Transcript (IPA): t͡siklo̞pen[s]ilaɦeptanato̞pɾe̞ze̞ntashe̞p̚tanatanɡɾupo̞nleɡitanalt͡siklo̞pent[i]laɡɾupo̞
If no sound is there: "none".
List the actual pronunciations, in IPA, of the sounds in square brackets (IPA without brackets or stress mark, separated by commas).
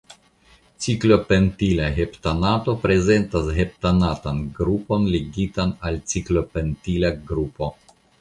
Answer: t, i